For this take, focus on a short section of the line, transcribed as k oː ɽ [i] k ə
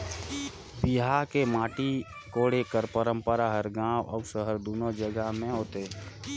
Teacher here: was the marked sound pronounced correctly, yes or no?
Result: no